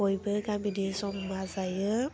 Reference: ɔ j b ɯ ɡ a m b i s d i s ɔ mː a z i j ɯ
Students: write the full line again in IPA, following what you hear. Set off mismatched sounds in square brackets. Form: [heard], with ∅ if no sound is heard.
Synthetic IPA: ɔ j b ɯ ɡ a m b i [∅] d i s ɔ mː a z [a] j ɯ

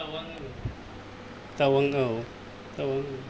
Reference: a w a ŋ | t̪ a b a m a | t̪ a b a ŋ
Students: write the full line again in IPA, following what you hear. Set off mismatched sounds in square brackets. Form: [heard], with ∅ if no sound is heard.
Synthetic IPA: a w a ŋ | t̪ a [w] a [ŋ] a | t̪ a [w] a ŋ

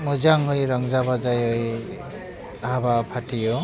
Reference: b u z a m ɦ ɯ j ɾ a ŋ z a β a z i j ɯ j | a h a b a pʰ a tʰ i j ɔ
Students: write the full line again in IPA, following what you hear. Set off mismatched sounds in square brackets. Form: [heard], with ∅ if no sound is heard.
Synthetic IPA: [m] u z a [ŋ] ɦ ɯ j ɾ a ŋ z a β a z [a] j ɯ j | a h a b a pʰ a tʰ i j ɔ

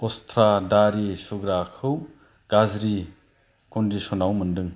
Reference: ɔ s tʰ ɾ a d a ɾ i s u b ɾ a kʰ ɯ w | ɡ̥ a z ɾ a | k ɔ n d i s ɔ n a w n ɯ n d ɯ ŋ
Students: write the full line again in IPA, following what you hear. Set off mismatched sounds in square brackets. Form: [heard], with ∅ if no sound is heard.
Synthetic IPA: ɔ s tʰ ɾ a d a ɾ i s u [ɡ] ɾ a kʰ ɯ w | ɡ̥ a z ɾ [i] | k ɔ n d i s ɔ n a w [m] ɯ n d ɯ ŋ

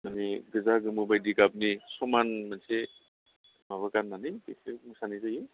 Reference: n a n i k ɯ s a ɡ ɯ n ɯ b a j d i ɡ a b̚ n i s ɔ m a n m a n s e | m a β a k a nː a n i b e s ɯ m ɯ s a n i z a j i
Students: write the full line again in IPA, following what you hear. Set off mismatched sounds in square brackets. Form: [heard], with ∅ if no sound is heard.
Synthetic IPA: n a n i [ɡ] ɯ [z] a ɡ ɯ [m] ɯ b a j d i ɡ a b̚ n i s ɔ m a n m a n s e | m a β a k a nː a n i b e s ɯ m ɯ s a n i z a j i

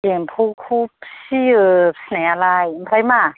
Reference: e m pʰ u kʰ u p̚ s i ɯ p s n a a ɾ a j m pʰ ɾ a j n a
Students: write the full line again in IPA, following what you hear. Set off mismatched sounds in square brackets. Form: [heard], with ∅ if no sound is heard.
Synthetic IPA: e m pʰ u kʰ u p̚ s i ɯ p s n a a [l] a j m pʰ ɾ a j [m] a

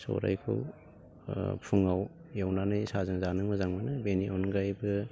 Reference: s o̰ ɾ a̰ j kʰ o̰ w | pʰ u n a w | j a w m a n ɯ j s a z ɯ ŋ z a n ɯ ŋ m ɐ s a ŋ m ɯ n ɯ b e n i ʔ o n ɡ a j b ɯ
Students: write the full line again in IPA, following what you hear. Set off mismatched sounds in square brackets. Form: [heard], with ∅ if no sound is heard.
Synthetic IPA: s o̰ ɾ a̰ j kʰ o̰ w | pʰ u [ŋ] a w | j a w [n] a n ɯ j s a z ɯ ŋ z a n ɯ ŋ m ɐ [z] a ŋ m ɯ n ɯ b e n i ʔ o n ɡ a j b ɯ

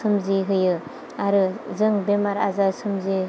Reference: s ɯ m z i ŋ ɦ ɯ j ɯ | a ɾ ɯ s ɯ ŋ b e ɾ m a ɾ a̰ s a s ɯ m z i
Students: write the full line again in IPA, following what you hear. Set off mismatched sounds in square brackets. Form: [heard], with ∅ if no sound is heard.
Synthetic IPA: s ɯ m z i [∅] ɦ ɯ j ɯ | a ɾ ɯ [z] ɯ ŋ b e [∅] m a ɾ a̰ [z] a s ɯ m z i

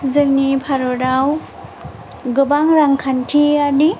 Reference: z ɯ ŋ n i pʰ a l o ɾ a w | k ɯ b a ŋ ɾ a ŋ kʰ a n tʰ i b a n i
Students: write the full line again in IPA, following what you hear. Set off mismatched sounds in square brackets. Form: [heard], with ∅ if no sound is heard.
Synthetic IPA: z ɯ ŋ n i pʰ a [ɾ] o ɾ a w | [ɡ] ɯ b a ŋ ɾ a ŋ kʰ a n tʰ i [∅] a n i

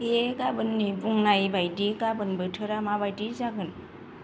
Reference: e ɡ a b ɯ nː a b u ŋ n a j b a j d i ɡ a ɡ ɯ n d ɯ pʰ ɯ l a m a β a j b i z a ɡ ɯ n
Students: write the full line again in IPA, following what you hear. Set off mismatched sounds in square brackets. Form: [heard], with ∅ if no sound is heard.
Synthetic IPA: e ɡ a b ɯ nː [i] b u ŋ n a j b a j d i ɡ a [b] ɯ n [b] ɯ [tʰ] ɯ [ɾ] a m a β a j [d] i z a ɡ ɯ n

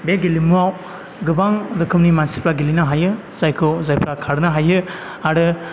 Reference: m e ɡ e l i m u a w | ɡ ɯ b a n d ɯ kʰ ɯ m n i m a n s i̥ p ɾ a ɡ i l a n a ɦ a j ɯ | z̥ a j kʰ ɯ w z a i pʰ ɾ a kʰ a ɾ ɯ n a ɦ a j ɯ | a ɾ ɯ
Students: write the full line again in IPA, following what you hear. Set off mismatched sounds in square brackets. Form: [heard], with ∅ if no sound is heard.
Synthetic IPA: [b] e ɡ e l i m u a w | ɡ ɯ b a [ŋ] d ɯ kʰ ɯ m n i m a n s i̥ p ɾ a ɡ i l [i] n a ɦ a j ɯ | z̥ a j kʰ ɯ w z a [j] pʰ ɾ a kʰ a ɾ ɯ n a ɦ a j ɯ | a ɾ ɯ

